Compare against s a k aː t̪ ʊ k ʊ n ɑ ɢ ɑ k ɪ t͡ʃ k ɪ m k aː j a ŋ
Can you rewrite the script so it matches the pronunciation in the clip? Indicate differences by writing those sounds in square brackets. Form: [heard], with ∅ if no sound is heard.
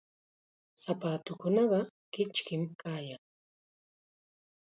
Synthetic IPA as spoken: s a [p] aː t̪ ʊ k ʊ n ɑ ɢ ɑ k ɪ t͡ʃ k ɪ m k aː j a ŋ